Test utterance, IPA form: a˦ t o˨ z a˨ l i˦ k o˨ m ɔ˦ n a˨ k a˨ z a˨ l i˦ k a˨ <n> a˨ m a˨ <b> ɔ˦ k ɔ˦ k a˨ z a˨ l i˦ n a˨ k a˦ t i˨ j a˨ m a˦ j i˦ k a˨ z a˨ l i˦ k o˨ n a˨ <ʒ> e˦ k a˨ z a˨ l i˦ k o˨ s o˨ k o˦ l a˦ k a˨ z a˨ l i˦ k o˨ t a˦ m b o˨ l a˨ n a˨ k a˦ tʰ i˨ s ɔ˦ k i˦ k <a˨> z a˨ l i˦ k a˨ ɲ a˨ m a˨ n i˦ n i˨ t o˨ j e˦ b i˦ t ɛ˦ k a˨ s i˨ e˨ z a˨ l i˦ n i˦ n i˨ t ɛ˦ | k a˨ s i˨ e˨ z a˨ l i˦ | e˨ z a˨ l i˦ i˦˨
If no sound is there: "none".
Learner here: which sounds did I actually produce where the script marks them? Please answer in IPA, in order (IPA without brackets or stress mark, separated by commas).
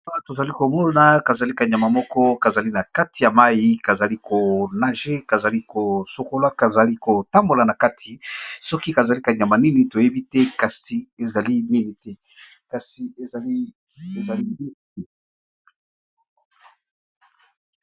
ɲ, m, ʒ, a˨